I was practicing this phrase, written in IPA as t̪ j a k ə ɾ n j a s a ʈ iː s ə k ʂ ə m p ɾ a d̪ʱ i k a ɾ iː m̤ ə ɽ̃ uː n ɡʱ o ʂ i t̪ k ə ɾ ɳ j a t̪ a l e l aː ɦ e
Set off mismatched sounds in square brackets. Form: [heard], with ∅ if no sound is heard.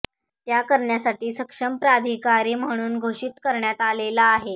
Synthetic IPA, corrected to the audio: t̪ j a k ə ɾ [ɳ] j a s a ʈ iː s ə k ʂ ə m p ɾ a d̪ʱ i k a ɾ iː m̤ ə ɽ̃ uː n ɡʱ o ʂ i t̪ k ə ɾ ɳ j a t̪ a l e l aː ɦ e